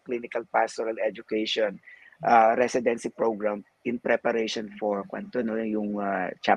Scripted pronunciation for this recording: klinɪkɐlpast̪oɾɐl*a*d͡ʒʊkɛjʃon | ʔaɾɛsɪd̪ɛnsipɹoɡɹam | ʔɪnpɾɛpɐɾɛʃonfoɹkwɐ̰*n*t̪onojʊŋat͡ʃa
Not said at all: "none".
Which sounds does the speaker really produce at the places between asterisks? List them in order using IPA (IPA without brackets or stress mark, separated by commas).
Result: ɛ, n